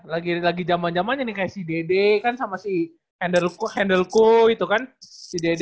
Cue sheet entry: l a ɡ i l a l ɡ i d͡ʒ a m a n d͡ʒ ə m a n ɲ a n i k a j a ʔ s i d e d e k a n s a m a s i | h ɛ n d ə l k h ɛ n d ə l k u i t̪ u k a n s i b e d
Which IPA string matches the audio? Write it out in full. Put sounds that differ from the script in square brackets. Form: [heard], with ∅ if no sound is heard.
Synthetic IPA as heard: l a ɡ i l a [∅] ɡ i d͡ʒ a m a n d͡ʒ [a] m a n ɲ a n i k a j a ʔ s i d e d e k a n s a m a s i | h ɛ n d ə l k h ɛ n d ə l k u i t̪ u k a n s i [d] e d